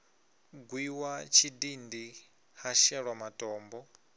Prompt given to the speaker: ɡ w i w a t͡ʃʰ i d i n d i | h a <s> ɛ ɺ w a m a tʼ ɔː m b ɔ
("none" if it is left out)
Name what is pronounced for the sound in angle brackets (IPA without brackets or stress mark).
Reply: ʃ